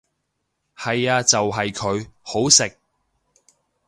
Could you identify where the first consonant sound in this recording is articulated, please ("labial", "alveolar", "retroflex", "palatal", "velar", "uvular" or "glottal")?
glottal